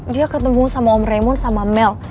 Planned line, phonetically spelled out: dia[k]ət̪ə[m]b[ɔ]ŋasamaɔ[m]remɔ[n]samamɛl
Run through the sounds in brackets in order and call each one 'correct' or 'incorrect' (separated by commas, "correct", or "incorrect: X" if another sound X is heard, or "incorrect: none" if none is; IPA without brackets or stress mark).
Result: correct, correct, incorrect: u, correct, correct